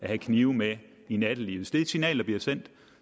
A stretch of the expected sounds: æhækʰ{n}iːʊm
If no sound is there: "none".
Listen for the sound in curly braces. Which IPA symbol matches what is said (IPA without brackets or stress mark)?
n